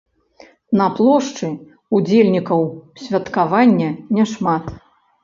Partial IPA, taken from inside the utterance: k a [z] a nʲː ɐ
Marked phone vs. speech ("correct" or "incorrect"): incorrect